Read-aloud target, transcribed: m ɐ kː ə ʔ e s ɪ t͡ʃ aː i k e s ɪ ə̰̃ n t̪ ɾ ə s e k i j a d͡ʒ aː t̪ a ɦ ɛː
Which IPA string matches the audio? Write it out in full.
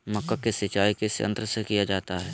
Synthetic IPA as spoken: m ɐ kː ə k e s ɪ t͡ʃ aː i k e s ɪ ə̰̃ n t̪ ɾ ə s e k i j a d͡ʒ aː t̪ a ɦ ɛː